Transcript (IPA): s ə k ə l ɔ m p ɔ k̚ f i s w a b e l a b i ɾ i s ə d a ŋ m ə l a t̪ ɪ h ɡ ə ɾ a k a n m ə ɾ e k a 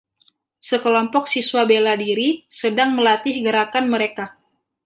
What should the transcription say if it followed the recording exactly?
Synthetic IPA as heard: s ə k ə l ɔ m p ɔ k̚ s i s w a b e l a d i ɾ i s ə d a ŋ m ə l a t̪ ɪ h ɡ ə ɾ a k a n m ə ɾ e k a